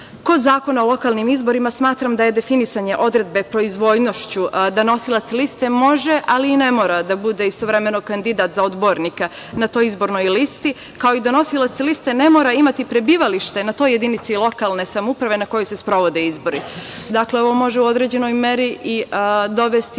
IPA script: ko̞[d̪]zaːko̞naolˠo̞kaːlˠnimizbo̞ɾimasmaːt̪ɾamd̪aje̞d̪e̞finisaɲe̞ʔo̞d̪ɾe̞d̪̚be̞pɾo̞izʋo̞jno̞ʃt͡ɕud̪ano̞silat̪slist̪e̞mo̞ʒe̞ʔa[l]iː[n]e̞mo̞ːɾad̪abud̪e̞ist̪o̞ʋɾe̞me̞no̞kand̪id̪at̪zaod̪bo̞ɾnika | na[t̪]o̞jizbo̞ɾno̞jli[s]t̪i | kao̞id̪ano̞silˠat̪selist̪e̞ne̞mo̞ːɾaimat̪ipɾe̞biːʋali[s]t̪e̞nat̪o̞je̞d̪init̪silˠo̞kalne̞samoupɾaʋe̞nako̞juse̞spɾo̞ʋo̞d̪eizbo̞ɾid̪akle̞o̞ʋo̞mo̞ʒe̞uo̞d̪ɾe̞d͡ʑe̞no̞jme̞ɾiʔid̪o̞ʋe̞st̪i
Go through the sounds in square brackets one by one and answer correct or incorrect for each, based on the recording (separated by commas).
correct, correct, correct, correct, correct, incorrect